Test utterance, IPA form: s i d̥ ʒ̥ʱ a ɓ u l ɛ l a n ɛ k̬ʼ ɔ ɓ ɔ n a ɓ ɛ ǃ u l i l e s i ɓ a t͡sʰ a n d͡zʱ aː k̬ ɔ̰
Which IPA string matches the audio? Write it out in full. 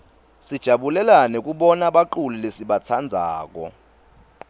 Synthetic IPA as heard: s i d̥ ʒ̥ʱ a ɓ u l ɛ l a n ɛ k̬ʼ u ɓ ɔ n a ɓ a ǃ u l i l e s i ɓ a t͡sʰ a n d͡zʱ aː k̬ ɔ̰

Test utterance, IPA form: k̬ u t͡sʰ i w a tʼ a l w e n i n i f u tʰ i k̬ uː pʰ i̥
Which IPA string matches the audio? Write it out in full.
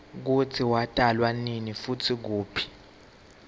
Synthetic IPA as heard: k̬ u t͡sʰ i w a tʼ a l w a n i n i f u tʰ i k̬ uː pʰ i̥

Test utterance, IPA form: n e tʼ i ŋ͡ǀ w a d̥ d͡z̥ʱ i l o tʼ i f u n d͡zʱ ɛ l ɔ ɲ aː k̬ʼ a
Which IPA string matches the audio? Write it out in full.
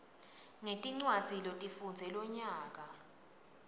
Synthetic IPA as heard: ŋ e tʼ i ŋ͡ǀ w a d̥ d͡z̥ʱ i l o tʼ i f u n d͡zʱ ɛ l ɔ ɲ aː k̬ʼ a

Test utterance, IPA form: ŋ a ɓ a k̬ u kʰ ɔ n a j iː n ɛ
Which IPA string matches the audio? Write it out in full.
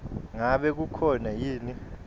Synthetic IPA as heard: ŋ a ɓ ɛ k̬ u kʰ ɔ n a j iː n i

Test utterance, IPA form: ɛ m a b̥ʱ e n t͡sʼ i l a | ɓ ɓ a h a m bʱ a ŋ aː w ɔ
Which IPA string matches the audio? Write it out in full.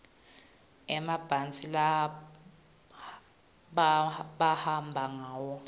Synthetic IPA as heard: ɛ m a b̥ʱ a n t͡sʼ i l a | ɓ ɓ a h a m bʱ a ŋ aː w ɔ

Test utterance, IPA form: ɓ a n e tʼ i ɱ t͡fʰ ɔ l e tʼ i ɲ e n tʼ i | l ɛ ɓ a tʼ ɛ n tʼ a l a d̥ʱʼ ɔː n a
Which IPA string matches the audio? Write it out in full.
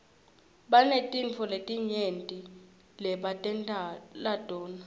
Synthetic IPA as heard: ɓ a n e tʼ i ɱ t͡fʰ ɔ l e tʼ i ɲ e n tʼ i | l ɛ ɓ a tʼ ɛ n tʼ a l a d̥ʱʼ ɔː n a

